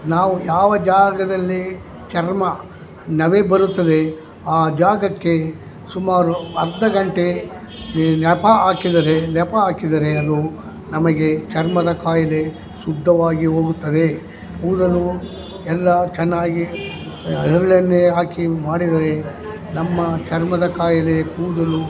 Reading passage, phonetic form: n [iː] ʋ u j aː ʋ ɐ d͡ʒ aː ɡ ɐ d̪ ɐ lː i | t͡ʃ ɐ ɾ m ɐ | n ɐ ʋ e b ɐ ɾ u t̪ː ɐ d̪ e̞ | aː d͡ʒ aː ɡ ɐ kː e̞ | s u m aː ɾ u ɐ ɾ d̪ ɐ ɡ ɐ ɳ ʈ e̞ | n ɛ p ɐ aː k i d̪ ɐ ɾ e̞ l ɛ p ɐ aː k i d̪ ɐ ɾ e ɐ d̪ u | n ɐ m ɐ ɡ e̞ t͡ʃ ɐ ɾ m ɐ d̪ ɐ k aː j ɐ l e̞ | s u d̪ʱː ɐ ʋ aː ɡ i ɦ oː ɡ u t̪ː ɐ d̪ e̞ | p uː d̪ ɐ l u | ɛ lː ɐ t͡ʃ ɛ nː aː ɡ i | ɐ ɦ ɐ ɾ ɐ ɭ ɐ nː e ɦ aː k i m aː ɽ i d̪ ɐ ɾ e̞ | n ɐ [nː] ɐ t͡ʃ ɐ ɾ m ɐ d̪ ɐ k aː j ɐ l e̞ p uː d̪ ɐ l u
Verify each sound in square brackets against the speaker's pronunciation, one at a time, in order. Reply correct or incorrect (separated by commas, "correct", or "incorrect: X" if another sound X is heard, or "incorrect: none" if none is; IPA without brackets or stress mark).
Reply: incorrect: aː, incorrect: mː